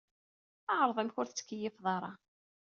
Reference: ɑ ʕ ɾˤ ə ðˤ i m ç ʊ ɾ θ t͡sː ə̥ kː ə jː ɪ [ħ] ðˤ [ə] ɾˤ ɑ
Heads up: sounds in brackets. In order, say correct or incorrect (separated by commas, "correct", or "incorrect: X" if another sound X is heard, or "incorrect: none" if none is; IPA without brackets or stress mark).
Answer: incorrect: f, incorrect: ɑ